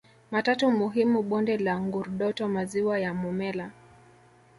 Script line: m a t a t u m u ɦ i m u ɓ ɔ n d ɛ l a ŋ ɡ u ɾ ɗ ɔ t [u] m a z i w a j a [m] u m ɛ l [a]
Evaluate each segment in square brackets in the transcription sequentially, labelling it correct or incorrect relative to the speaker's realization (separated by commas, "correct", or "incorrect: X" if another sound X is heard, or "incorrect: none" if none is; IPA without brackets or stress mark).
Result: incorrect: ɔ, correct, correct